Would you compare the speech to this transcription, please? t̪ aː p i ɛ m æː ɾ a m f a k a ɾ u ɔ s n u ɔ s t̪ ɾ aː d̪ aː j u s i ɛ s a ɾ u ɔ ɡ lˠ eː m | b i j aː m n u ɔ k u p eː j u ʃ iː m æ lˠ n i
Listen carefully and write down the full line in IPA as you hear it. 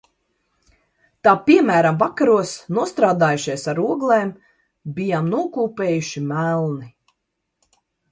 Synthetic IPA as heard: t̪ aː p i ɛ m æː ɾ a m v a k a ɾ u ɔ s n u ɔ s t̪ ɾ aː d̪ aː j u ʃ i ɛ s a ɾ u ɔ ɡ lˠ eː m | b i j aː m n u ɔ k uː p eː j u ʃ i m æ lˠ n i

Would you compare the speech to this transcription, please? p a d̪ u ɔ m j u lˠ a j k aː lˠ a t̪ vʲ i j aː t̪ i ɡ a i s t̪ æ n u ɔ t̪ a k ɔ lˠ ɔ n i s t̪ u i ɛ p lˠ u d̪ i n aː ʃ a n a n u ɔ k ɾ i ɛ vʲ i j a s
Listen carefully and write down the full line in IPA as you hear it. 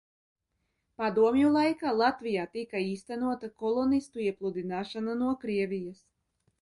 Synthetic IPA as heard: p a d̪ u ɔ m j u lˠ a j k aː lˠ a t̪ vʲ i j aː t̪ i k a iː s t̪ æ n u ɔ t̪ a k ɔ lˠ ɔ n i s t̪ u i ɛ p lˠ u d̪ i n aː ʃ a n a n u ɔ k ɾ i ɛ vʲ i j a s

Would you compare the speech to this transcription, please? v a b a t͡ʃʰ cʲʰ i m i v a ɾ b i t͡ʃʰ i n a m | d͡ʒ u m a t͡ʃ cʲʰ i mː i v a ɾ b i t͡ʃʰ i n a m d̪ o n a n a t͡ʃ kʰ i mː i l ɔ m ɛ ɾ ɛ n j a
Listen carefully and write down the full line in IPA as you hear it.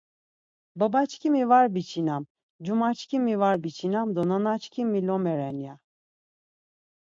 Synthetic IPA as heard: b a b a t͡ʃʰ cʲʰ i m i v a ɾ b i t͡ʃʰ i n a m | d͡ʒ u m a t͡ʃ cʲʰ i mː i v a ɾ b i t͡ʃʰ i n a m d̪ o n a n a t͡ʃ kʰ i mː i l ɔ m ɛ ɾ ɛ n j a

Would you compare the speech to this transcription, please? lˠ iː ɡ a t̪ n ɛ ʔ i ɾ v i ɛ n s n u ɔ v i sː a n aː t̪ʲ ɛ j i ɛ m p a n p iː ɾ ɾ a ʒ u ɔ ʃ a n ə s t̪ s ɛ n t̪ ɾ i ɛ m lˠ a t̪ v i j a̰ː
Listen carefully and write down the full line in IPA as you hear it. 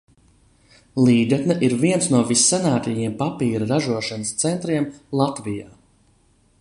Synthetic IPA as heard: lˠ iː ɡ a t̪ n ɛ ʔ i ɾ v i ɛ n s n u ɔ v i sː a n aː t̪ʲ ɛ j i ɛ m p a p iː ɾ ɾ a ʒ u ɔ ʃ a n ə s t̪ s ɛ n t̪ ɾ i ɛ m lˠ a t̪ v i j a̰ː

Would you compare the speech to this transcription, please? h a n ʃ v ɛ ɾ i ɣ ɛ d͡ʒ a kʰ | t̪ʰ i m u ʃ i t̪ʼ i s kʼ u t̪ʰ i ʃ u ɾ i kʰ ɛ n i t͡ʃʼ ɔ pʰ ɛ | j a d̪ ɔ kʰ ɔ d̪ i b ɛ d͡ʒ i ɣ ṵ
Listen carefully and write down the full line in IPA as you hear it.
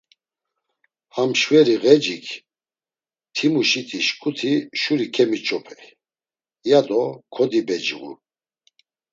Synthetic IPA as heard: h a m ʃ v ɛ ɾ i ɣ ɛ d͡ʒ i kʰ | t̪ʰ i m u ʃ i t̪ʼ i ʃ kʼ u t̪ʰ i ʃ u ɾ i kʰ ɛ m i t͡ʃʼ ɔ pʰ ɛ | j a d̪ ɔ kʰ ɔ d̪ i b ɛ d͡ʒ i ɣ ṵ

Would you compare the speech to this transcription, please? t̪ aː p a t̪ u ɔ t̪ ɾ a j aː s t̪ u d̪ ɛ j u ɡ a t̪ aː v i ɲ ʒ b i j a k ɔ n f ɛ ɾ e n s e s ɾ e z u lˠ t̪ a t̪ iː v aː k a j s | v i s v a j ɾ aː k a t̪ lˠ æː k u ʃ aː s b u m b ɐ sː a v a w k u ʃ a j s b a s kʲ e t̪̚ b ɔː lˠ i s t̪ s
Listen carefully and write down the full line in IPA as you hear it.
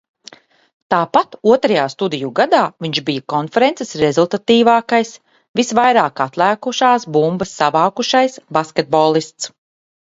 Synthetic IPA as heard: t̪ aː p a t̪ u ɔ t̪ ɾ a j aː s t̪ u d̪ i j u ɡ a d̪ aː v i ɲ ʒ b i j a k ɔ n f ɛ ɾ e n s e s ɾ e z u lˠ t̪ a t̪ iː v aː k a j s | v i s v a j ɾ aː k a t̪ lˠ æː k u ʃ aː s b u m b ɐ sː a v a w k u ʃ a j s b a s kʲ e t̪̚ b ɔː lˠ i s t̪ s

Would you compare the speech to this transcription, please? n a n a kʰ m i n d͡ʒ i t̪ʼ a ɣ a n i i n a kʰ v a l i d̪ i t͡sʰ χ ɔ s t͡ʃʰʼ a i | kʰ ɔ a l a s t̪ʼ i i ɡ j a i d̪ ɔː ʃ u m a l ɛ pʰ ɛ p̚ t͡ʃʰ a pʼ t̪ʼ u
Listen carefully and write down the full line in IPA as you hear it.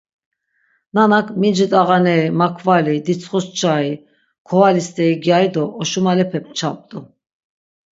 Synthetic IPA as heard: n a n a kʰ m i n d͡ʒ i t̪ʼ a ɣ a n ɛ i m a kʰ v a l i d̪ i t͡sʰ χ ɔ s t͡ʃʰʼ a i | kʰ ɔ a l i s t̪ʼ ɛ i ɡ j a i d̪ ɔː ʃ u m a l ɛ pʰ ɛ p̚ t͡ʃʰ a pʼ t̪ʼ u

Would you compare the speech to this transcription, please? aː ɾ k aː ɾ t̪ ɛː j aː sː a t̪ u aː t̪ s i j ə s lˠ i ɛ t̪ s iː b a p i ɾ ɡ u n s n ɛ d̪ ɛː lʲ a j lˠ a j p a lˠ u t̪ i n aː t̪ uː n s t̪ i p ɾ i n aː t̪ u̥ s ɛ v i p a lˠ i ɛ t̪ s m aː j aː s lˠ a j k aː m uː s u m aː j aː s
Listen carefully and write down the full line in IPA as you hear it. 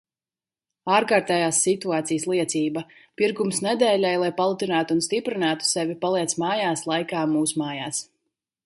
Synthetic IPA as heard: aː ɾ k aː ɾ t̪ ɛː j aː sː i t̪ u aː t̪ s i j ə s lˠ i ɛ t̪ s iː b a p i ɾ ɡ u m s n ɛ d̪ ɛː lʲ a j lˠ a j p a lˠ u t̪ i n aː t̪ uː n s t̪ i p ɾ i n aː t̪ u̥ s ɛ v i p a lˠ i ɛ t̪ s m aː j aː s lˠ a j k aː m uː s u m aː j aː s

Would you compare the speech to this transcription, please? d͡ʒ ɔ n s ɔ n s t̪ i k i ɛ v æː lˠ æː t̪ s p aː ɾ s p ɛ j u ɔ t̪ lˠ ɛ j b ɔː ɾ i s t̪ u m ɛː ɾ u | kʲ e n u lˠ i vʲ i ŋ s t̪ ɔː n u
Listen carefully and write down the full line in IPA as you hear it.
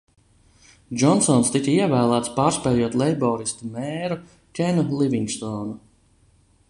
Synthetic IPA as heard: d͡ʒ ɔ n s ɔ n s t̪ i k i ɛ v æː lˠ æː t̪ s p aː ɾ s p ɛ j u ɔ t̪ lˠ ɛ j b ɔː ɾ i s t̪ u m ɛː ɾ u | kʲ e n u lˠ i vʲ i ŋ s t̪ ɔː n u

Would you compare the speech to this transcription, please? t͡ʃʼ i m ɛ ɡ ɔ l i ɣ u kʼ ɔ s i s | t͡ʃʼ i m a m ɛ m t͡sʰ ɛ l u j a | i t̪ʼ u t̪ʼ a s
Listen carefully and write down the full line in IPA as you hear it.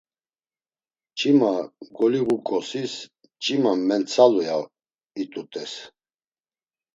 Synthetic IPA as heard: t͡ʃʼ i m a ɡ ɔ l i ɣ u kʼ ɔ s i s | t͡ʃʼ i m a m ɛ n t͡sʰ a l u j a | i t̪ʼ u t̪ʼ ɛ s

